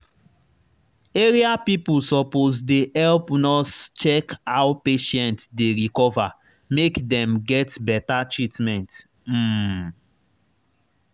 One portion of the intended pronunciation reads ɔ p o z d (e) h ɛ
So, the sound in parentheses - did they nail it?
yes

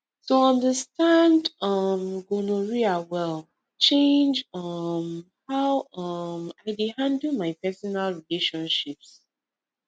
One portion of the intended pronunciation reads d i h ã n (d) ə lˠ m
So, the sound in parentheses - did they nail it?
yes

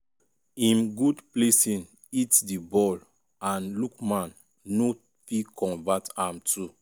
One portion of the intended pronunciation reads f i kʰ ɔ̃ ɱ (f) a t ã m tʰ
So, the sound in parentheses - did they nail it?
no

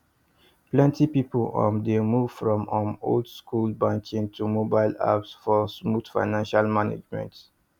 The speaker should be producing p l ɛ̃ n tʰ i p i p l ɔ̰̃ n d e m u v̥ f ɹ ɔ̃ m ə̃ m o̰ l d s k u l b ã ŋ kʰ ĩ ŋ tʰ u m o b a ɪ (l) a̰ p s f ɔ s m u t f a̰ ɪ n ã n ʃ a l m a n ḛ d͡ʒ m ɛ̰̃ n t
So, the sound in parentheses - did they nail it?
yes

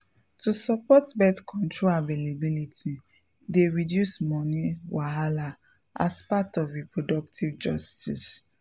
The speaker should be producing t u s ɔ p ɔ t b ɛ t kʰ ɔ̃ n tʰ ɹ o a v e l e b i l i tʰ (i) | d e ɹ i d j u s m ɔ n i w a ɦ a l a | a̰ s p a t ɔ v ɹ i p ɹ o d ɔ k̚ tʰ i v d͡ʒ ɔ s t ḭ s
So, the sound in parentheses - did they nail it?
yes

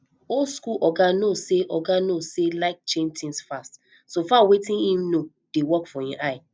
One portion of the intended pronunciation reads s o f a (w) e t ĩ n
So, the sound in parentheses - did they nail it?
yes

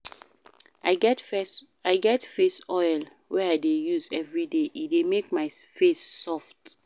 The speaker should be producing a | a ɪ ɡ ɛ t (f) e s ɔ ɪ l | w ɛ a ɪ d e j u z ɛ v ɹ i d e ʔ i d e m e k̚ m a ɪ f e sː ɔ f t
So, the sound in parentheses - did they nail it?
yes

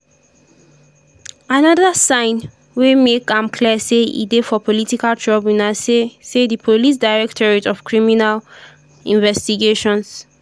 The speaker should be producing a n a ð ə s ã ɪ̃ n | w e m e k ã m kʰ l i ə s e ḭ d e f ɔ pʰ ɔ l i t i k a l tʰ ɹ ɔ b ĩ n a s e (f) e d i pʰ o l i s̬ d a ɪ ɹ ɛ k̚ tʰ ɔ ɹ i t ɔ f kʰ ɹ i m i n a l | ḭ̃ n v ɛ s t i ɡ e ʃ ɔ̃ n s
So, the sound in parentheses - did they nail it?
no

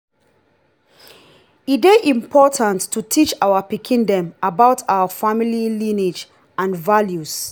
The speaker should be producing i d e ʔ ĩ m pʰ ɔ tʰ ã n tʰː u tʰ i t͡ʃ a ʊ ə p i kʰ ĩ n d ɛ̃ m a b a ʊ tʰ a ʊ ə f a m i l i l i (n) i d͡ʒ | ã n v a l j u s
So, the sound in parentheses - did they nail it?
yes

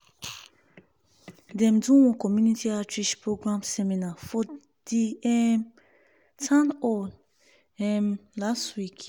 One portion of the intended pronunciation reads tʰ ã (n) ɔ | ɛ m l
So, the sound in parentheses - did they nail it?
yes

